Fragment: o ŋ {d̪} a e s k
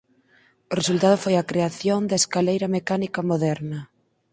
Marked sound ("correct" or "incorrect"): correct